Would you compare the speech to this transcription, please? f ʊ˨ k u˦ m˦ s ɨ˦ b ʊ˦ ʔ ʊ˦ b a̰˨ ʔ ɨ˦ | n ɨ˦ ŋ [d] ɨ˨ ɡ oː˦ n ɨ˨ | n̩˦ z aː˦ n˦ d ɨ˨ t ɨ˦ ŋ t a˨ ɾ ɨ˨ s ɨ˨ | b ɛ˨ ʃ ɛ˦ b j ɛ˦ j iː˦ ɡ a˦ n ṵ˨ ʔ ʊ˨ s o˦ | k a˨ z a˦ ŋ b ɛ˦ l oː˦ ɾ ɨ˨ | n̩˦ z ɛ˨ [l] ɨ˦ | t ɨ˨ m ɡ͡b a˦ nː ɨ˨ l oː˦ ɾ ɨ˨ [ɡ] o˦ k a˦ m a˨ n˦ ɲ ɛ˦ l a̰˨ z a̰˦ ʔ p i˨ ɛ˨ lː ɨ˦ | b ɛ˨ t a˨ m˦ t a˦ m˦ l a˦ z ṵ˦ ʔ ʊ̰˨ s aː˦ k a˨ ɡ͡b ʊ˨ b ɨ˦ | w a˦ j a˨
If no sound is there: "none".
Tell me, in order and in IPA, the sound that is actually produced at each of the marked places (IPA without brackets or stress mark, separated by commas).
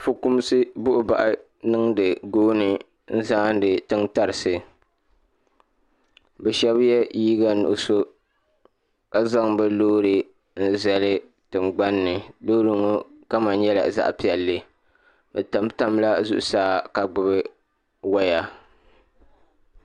d, l, ŋ